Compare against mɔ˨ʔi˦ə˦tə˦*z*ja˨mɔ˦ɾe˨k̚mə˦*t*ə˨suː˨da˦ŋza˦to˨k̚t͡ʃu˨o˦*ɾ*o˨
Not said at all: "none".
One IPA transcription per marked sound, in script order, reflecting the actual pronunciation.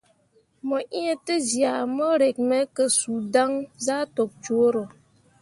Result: z, k, ɾ

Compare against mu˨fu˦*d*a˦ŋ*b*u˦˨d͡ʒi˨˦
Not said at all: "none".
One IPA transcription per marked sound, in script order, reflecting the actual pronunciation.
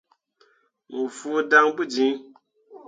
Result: d, b

